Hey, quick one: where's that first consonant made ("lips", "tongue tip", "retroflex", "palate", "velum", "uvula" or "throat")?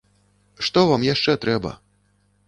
retroflex